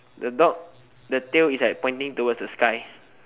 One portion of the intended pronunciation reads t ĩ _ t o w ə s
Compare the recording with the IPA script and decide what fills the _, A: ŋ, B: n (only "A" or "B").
A